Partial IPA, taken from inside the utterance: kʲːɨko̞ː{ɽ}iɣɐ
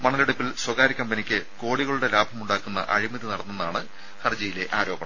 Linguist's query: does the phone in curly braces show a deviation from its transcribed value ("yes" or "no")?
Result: no